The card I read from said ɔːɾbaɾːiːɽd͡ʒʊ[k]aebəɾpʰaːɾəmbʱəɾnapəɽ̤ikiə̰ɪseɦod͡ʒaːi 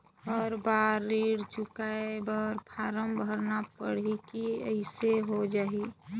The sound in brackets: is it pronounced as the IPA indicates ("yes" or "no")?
yes